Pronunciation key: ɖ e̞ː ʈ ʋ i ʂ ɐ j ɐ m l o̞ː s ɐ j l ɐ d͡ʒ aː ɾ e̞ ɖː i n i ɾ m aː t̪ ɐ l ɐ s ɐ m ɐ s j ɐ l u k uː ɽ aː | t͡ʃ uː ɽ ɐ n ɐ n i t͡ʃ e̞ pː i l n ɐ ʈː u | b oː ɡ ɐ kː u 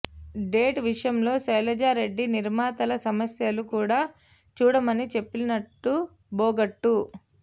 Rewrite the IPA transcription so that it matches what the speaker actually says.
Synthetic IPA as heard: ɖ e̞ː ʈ ʋ i ʂ ɐ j ɐ m l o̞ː s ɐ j l ɐ d͡ʒ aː ɾ e̞ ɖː i n i ɾ m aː t̪ ɐ l ɐ s ɐ m ɐ s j ɐ l u k uː ɽ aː | t͡ʃ uː ɽ ɐ m ɐ n i t͡ʃ e̞ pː i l n ɐ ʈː u | b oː ɡ ɐ ʈː u